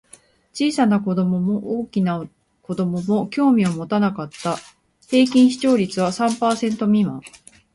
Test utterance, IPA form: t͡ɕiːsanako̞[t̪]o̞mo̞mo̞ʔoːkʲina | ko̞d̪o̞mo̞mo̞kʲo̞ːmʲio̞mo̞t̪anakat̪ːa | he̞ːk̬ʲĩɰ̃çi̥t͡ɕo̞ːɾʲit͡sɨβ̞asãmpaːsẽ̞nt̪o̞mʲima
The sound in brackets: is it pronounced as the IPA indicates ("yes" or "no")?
no